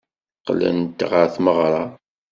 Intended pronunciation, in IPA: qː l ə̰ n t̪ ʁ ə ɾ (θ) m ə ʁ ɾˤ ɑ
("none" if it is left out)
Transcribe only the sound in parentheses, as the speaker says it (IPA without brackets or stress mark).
θ